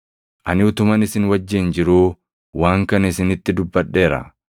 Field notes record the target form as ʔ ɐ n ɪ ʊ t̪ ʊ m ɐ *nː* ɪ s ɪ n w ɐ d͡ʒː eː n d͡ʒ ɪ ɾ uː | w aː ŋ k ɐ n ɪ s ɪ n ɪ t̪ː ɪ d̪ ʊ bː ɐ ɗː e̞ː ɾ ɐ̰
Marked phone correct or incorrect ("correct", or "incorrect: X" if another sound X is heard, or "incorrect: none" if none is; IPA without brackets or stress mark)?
incorrect: n